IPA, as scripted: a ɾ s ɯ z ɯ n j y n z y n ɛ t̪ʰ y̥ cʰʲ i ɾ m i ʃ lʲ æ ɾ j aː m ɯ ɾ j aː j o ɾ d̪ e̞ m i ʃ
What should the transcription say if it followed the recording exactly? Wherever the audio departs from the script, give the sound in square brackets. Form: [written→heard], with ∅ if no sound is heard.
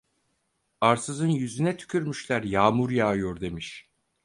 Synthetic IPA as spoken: a ɾ s ɯ z ɯ n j y [n→∅] z y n ɛ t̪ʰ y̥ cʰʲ [i→y] ɾ m [i→y] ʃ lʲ æ ɾ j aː m [ɯ→u] ɾ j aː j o ɾ d̪ e̞ m i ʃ